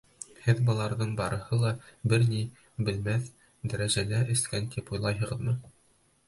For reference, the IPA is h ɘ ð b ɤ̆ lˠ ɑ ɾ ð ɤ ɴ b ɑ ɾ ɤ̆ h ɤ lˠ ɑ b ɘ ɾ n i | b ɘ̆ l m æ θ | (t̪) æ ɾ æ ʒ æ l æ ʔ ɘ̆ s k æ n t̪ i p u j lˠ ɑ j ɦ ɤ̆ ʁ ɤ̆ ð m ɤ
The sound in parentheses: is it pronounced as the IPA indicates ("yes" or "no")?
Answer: no